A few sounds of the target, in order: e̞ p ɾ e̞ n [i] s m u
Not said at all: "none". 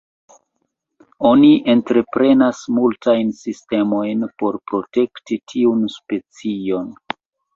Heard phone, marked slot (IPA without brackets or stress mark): a